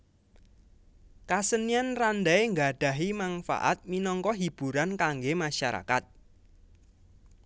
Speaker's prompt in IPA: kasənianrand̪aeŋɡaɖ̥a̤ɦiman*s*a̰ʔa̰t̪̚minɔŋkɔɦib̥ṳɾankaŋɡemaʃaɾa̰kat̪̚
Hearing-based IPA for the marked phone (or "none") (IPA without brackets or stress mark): f